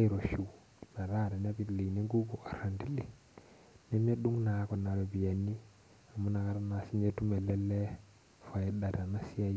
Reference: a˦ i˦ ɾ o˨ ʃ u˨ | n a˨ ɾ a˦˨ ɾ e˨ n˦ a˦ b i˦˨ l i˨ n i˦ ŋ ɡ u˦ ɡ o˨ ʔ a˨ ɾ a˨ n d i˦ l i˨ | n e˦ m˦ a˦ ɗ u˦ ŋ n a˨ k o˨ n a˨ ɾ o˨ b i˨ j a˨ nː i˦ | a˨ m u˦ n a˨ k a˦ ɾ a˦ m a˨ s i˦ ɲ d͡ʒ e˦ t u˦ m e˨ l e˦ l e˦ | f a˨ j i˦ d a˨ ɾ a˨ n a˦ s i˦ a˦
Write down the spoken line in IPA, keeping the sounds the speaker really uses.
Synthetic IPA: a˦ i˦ ɾ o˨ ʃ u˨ | n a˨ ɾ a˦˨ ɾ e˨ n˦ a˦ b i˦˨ l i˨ n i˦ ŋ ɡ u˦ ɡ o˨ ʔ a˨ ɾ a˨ n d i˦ l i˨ | n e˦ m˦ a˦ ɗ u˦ ŋ n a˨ k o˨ n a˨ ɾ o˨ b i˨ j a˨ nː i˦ | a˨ m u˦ n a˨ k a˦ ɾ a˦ n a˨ s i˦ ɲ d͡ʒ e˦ t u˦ m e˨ l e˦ l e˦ | f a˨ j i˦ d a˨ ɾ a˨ n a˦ s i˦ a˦